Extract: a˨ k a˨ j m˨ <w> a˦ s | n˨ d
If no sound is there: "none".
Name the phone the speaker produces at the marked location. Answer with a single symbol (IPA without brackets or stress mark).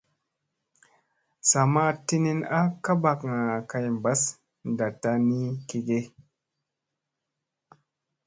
b